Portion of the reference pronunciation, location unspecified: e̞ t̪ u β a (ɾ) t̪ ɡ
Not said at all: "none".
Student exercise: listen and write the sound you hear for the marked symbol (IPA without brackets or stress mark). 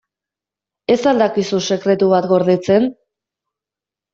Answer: none